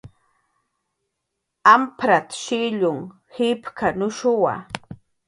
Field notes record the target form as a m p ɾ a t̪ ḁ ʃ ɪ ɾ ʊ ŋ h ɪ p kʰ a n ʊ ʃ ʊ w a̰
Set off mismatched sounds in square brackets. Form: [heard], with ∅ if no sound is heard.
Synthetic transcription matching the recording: a m p ɾ a t̪ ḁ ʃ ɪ [ʎ] ʊ ŋ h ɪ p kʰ a n ʊ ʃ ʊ w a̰